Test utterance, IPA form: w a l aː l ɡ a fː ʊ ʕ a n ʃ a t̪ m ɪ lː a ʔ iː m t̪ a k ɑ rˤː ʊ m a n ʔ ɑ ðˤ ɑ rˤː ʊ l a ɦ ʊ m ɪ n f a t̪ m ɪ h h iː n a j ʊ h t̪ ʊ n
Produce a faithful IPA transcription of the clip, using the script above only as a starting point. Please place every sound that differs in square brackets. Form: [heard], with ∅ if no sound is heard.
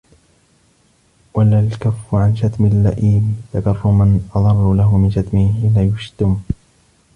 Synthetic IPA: w a l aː l [k] a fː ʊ ʕ a n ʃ a t̪ m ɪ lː a ʔ iː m t̪ a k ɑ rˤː ʊ m a n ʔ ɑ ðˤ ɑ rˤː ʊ l a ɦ ʊ m ɪ n [ʃ] a t̪ m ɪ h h iː n a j ʊ [ʃ] t̪ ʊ [m]